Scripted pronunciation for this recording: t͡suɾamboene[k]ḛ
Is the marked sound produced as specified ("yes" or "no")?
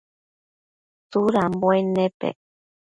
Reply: no